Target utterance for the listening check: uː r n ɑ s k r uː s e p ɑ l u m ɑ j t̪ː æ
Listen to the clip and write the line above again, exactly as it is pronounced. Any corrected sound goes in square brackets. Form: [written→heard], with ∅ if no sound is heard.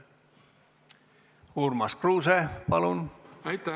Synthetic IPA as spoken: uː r [n→m] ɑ s k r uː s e p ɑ l u [m→n] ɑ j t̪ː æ